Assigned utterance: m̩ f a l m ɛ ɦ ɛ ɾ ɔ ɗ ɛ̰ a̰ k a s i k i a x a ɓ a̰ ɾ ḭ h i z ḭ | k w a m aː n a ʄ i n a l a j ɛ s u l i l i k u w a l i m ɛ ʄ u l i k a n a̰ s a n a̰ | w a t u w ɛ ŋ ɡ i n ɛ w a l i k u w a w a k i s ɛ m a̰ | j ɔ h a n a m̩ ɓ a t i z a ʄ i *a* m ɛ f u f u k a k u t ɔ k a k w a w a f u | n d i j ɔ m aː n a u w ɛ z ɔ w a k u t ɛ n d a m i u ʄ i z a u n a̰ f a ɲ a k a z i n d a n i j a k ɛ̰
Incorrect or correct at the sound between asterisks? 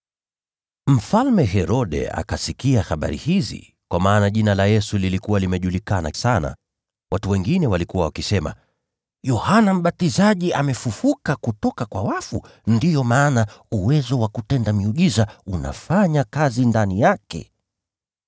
correct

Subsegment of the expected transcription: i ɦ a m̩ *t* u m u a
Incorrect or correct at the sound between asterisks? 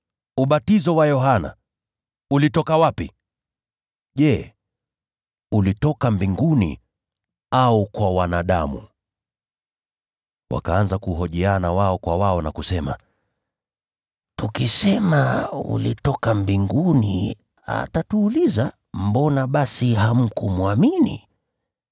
incorrect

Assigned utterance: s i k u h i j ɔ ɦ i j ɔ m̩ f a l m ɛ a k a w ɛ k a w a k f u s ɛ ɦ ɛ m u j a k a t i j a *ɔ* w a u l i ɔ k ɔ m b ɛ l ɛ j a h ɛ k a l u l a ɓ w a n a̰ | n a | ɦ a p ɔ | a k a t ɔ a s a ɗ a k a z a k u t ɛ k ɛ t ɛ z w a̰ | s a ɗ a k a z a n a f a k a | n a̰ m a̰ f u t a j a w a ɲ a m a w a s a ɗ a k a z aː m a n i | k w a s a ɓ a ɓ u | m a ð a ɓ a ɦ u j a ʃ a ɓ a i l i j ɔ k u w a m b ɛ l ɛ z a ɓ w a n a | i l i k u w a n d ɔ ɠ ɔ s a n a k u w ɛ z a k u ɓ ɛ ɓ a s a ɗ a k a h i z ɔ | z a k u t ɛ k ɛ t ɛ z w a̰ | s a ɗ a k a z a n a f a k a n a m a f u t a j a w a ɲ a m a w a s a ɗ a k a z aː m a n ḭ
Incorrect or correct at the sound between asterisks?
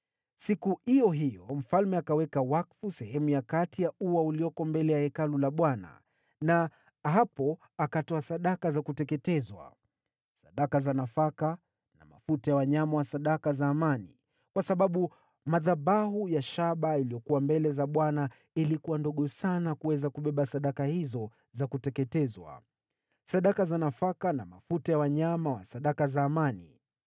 incorrect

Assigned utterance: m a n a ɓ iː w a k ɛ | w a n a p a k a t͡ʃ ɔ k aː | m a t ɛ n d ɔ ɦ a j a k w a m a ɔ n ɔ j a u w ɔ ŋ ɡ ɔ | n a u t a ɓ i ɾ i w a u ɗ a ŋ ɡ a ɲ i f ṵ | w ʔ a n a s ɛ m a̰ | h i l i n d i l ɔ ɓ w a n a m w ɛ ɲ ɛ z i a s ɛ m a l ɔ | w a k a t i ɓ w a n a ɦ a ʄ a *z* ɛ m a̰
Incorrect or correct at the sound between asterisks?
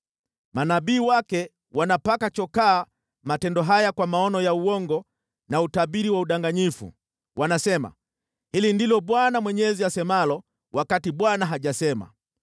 incorrect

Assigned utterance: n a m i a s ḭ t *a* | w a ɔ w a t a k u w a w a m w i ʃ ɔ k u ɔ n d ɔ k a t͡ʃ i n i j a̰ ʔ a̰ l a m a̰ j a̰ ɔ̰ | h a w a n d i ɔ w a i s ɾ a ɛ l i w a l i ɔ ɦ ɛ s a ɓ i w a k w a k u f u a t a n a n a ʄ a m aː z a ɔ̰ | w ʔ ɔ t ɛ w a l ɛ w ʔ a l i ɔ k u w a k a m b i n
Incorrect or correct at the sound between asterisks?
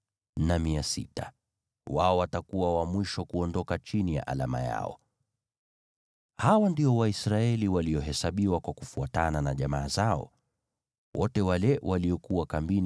correct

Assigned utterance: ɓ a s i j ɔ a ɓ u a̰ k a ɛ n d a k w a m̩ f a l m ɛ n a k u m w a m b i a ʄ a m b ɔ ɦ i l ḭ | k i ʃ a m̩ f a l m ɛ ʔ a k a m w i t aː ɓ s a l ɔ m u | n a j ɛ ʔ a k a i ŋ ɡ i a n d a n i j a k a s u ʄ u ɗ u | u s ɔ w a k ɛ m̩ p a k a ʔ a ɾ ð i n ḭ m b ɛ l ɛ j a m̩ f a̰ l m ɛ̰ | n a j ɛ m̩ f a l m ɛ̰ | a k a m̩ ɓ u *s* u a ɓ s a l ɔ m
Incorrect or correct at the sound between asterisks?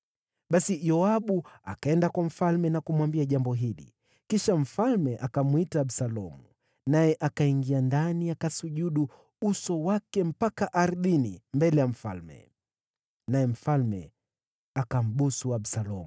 correct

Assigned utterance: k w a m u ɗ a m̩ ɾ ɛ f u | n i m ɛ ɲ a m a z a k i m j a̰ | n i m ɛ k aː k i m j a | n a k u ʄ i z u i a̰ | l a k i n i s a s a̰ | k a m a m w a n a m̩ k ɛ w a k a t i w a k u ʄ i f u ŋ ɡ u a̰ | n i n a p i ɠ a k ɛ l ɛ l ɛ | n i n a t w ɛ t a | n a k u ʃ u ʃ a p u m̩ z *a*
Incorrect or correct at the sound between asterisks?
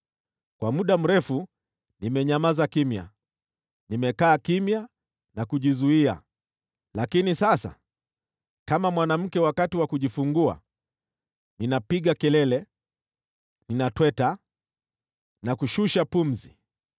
incorrect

